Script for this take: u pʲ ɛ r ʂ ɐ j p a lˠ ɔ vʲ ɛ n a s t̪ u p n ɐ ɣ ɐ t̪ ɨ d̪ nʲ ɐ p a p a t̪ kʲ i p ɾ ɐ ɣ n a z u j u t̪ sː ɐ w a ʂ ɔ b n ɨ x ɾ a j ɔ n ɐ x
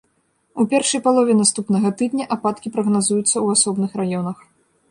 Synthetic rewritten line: u pʲ ɛ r ʂ ɐ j p a lˠ ɔ vʲ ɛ n a s t̪ u p n ɐ ɣ ɐ t̪ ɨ d̪ nʲ ɐ ʔ a p a t̪ kʲ i p ɾ ɐ ɣ n a z u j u t̪ sː ɐ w a s ɔ b n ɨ x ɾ a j ɔ n ɐ x